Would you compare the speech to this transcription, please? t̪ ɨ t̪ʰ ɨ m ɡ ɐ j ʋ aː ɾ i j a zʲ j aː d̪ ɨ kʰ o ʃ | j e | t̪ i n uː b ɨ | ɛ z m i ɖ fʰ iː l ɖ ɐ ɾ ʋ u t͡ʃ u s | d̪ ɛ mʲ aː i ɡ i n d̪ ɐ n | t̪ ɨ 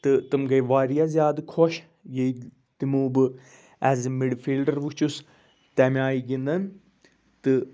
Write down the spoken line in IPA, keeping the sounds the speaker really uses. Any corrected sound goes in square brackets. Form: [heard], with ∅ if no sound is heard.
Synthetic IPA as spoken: t̪ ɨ [t̪] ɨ m ɡ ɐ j ʋ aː ɾ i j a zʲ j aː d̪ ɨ kʰ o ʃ | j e | t̪ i [m] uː b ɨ | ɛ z m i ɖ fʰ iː l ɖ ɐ ɾ ʋ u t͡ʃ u s | [t̪] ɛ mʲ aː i ɡ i n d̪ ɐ n | t̪ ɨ